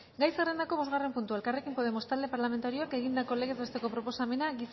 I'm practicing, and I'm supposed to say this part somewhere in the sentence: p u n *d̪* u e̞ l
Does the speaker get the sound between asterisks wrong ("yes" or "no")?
yes